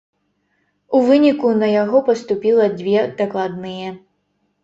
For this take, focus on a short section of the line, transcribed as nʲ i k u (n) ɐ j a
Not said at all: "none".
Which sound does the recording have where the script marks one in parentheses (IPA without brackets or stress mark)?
n